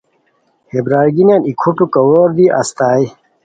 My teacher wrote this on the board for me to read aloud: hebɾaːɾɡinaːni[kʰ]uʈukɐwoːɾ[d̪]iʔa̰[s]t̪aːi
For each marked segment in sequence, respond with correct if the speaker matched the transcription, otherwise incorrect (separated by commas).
correct, correct, correct